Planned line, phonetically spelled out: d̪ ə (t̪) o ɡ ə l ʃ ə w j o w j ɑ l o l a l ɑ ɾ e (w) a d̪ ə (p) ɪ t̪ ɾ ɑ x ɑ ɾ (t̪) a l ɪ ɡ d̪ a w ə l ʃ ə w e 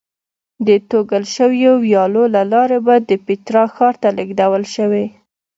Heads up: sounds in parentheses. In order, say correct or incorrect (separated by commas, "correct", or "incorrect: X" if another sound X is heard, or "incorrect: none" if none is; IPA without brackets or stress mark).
correct, incorrect: b, correct, correct